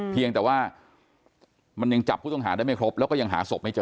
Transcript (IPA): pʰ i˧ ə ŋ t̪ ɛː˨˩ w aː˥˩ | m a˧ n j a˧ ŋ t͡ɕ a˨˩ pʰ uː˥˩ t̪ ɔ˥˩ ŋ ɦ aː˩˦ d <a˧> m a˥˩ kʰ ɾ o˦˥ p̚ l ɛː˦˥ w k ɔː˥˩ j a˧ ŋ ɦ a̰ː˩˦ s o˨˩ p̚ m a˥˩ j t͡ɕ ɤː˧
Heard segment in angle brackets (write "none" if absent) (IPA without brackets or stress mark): a˥˩